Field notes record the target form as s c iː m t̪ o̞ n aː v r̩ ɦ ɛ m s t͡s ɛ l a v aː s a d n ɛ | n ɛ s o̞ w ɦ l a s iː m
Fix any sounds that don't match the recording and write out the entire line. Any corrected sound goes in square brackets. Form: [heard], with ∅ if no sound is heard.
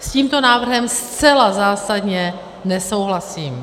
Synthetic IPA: s c iː m t̪ o̞ n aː v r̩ ɦ ɛ m s t͡s ɛ l a [z] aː s a d [ɲ] ɛ | n ɛ s o̞ w ɦ l a s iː m